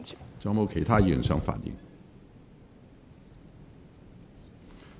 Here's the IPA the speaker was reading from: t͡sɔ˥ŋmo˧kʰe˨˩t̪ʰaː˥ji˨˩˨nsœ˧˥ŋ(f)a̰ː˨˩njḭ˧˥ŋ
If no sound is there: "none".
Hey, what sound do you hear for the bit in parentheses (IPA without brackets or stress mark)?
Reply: f